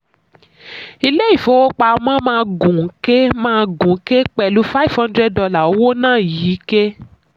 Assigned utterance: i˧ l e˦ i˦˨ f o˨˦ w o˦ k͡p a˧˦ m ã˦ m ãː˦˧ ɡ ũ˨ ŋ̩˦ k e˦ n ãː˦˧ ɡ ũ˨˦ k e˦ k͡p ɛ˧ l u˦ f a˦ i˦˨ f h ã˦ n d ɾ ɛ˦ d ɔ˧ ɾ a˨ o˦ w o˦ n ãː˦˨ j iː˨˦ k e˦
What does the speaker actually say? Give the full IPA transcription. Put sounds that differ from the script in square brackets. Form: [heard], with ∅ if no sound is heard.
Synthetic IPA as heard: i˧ l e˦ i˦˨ f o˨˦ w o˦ k͡p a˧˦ m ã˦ m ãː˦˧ ɡ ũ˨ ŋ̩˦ k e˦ [m] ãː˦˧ ɡ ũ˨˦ k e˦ k͡p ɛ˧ l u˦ f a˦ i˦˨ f h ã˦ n d ɾ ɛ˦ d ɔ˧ [l] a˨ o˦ w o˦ n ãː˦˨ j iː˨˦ k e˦